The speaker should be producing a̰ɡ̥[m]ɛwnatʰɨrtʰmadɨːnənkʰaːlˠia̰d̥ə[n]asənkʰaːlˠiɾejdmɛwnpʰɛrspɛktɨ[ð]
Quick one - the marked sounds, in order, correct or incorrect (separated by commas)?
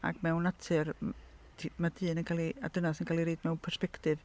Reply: correct, correct, incorrect